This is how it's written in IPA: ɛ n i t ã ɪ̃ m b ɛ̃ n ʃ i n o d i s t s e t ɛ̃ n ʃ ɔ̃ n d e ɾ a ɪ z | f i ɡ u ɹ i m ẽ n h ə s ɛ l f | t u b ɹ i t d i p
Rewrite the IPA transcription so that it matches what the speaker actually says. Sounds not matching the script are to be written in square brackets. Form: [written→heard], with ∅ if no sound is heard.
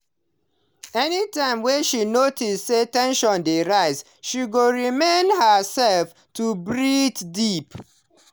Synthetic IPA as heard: ɛ n i t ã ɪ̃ m [b→w] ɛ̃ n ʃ i n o [d→t] i s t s e t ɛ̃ n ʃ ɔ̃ n d e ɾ a ɪ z | [f→ʃ] i ɡ [u→o] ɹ i m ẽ n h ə s ɛ l f | t u b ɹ i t d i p